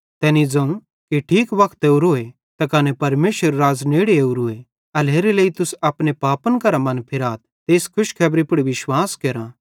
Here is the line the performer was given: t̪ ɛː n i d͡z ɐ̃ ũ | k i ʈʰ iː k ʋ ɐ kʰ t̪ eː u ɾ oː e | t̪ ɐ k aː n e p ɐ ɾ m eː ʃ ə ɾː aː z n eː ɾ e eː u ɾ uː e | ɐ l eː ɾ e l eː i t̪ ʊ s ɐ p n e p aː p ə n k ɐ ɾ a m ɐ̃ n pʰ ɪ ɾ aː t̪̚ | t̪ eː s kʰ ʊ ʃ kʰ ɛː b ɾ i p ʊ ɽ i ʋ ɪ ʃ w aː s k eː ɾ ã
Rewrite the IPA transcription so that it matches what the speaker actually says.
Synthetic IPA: t̪ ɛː n i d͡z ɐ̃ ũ | k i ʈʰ iː k ʋ ɐ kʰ t̪ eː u ɾ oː e | t̪ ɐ k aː n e p ɐ ɾ m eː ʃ ə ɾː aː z n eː ɽ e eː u ɾ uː e | ɐ l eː ɾ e l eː i t̪ ʊ s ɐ p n e p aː p ə n k ɐ ɾ a m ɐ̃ n pʰ ɪ ɾ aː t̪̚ | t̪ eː s kʰ ʊ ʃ kʰ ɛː b ɾ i p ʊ ɽ i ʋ ɪ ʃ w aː s k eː ɾ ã